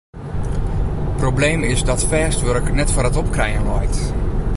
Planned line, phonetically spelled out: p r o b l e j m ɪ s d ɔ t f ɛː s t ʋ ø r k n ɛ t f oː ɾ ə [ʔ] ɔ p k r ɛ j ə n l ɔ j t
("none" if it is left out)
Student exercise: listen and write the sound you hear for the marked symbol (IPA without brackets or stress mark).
t